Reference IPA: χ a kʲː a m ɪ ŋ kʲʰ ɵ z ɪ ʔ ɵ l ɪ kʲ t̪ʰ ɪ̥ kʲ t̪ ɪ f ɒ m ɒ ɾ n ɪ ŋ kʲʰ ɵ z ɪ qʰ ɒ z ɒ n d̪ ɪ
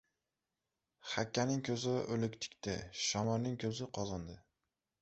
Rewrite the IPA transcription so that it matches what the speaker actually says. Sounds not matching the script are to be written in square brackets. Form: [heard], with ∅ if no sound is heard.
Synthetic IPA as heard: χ a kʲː a [n] ɪ ŋ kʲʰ ɵ z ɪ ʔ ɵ l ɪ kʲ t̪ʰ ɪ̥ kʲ t̪ ɪ [ʃ] ɒ m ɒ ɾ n ɪ ŋ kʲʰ ɵ z ɪ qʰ ɒ z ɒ n d̪ ɪ